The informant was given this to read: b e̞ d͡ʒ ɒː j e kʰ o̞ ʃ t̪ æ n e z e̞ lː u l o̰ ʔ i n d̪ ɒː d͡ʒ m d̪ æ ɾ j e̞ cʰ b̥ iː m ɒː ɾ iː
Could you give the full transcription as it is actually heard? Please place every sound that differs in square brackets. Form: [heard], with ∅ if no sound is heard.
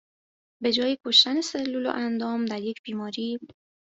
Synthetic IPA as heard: b e̞ d͡ʒ ɒː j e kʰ o̞ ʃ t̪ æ n e [s] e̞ lː u l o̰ ʔ [æ] n d̪ ɒː [∅] m d̪ æ ɾ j e̞ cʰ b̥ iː m ɒː ɾ iː